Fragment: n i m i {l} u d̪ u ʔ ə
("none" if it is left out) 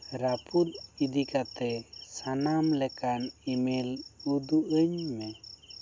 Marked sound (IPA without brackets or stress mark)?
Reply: l